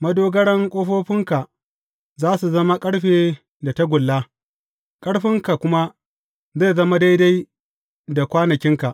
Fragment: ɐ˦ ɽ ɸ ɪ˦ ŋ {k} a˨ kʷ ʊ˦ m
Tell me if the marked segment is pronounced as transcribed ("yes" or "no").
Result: yes